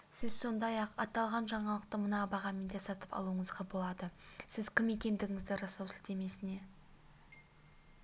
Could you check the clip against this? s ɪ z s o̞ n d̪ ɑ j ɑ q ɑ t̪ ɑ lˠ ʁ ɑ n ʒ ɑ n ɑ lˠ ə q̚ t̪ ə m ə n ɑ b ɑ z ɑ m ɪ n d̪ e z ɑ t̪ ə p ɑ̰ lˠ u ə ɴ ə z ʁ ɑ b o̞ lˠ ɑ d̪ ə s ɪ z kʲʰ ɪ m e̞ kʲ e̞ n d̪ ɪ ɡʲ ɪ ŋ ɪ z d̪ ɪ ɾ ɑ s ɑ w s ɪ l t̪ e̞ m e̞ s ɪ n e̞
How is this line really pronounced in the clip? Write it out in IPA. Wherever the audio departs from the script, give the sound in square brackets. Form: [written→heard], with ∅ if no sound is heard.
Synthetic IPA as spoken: s ɪ z s o̞ n d̪ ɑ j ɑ q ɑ t̪ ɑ lˠ ʁ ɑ n ʒ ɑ [n→ɴ] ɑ lˠ ə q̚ t̪ ə m ə n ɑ b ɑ [z→ʁ] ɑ m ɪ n d̪ e [z→s] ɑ t̪ ə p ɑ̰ lˠ u ə ɴ ə z ʁ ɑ b o̞ lˠ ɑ d̪ ə s ɪ z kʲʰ ɪ m e̞ kʲ e̞ n d̪ ɪ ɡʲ ɪ ŋ ɪ z d̪ ɪ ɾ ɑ s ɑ w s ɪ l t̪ e̞ m e̞ s ɪ n e̞